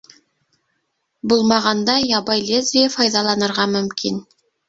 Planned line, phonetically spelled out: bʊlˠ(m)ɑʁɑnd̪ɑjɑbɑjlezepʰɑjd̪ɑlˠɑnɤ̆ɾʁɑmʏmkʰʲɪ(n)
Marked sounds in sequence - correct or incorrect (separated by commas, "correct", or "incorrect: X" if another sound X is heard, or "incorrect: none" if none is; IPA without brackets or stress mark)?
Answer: correct, correct